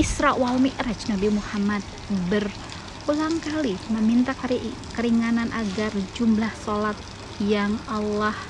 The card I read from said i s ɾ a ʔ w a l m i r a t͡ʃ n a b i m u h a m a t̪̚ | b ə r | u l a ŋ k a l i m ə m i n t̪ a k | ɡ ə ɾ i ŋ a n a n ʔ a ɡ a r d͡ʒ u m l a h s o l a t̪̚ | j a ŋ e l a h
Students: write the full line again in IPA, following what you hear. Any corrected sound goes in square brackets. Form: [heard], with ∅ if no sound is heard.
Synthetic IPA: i s ɾ a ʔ w a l m i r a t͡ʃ n a b i m u h a m a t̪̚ | b ə r | u l a ŋ k a l i m ə m i n t̪ a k | [k] ə ɾ i ŋ a n a n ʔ a ɡ a r d͡ʒ u m l a h s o l a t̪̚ | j a ŋ [a] l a h